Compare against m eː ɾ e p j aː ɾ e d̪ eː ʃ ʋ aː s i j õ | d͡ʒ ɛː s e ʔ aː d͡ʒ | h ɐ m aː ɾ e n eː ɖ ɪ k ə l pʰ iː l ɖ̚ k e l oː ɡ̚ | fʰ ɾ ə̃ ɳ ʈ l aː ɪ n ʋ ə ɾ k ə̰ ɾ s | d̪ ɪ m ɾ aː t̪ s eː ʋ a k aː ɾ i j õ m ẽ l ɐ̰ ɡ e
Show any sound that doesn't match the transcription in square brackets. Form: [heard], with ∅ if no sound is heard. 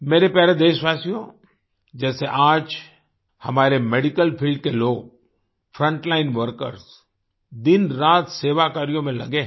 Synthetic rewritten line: m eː ɾ e p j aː ɾ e d̪ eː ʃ ʋ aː s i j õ | d͡ʒ ɛː s e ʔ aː d͡ʒ | h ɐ m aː ɾ e [m] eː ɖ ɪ k ə l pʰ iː l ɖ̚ k e l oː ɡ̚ | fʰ ɾ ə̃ ɳ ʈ l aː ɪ n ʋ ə ɾ k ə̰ ɾ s | d̪ ɪ [n] ɾ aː t̪ s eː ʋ a k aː ɾ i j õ m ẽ l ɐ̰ ɡ e

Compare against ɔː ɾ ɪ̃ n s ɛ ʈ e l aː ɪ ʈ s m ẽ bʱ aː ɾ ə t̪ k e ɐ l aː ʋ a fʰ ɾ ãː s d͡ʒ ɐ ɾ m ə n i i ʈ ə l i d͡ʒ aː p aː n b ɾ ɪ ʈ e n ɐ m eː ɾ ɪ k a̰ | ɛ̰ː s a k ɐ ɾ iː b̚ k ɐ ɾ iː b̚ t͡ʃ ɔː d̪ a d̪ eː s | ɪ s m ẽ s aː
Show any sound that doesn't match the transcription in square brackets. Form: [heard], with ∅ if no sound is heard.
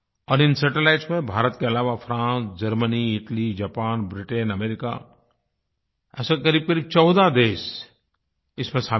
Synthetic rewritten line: ɔː ɾ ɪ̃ n s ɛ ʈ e l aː ɪ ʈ s m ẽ bʱ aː ɾ ə t̪ k e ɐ l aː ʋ a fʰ ɾ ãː s d͡ʒ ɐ ɾ m ə n i [ɪ] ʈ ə l i d͡ʒ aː p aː n b ɾ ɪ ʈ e n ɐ m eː ɾ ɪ k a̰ | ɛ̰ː s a k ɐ ɾ iː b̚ k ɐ ɾ iː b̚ t͡ʃ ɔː d̪ a d̪ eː s | ɪ s m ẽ s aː

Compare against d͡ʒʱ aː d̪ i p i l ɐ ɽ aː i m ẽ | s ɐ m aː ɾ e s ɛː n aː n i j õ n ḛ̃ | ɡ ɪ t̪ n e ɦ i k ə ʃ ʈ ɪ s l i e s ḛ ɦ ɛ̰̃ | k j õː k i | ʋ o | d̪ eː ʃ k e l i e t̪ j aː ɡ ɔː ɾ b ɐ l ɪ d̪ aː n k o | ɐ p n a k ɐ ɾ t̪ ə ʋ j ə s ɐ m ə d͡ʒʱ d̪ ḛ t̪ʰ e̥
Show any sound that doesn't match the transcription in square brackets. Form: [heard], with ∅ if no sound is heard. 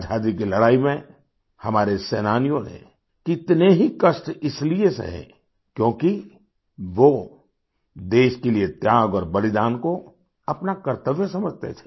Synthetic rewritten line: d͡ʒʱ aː d̪ i [k] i l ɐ ɽ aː i m ẽ | [h] ɐ m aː ɾ e s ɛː n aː n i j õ n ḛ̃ | [k] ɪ t̪ n e ɦ i k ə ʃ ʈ ɪ s l i e s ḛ ɦ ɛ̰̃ | k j õː k i | ʋ o | d̪ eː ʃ k e l i e t̪ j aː ɡ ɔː ɾ b ɐ l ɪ d̪ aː n k o | ɐ p n a k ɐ ɾ t̪ ə ʋ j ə s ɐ m ə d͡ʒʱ [t̪] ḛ t̪ʰ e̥

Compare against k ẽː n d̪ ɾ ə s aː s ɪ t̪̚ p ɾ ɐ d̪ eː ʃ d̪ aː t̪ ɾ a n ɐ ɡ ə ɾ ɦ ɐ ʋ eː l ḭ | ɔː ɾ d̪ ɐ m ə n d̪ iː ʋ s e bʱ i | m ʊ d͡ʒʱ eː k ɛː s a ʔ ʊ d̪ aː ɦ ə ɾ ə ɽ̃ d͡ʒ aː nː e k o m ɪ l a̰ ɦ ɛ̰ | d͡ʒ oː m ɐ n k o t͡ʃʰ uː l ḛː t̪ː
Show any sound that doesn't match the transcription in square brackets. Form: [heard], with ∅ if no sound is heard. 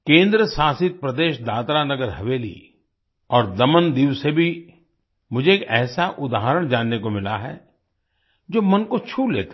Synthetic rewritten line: k ẽː n d̪ ɾ ə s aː s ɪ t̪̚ p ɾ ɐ d̪ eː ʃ d̪ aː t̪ ɾ a n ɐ ɡ ə ɾ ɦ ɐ ʋ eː l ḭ | ɔː ɾ d̪ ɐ m ə n d̪ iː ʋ s e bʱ i | m ʊ d͡ʒʱ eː k ɛː s a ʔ ʊ d̪ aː ɦ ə ɾ ə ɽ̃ d͡ʒ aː nː e k o m ɪ l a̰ ɦ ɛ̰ | d͡ʒ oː m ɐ n k o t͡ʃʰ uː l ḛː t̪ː

